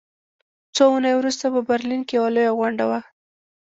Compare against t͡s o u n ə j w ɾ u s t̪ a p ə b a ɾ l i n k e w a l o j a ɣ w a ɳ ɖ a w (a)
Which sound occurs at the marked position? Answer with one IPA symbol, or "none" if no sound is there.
a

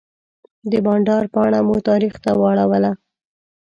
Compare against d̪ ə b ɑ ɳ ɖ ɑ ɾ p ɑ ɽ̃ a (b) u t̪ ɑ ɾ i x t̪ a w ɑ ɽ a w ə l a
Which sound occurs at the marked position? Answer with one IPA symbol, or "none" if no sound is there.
m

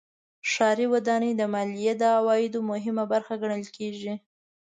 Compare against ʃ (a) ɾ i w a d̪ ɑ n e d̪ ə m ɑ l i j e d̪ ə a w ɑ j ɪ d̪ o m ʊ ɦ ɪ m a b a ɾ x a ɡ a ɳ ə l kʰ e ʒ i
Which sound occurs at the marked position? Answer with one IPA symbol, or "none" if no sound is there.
ɑ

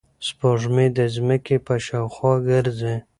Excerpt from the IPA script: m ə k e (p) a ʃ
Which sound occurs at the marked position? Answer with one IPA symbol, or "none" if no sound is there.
p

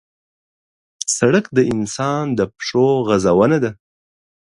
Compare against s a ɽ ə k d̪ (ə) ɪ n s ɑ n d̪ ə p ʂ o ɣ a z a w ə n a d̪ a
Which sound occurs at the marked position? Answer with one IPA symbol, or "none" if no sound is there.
ə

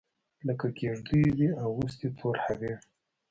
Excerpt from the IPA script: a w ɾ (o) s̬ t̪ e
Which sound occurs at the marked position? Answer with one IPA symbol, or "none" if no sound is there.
u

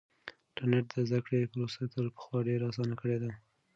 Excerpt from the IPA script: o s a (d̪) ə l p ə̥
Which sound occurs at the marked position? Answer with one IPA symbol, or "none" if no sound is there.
t̪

